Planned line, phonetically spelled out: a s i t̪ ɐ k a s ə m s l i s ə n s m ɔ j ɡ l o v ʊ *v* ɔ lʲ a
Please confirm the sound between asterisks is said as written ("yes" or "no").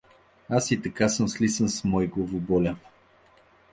no